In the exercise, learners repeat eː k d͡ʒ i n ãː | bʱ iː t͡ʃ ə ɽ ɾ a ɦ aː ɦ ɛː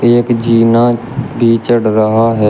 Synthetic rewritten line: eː k d͡ʒ iː n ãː | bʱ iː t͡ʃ ə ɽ ɾ ə ɦ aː ɦ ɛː